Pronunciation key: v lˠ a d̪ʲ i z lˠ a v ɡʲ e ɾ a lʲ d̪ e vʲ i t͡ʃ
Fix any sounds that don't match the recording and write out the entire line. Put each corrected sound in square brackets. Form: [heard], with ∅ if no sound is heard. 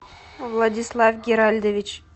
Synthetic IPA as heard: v lˠ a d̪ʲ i [s] lˠ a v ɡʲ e ɾ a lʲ d̪ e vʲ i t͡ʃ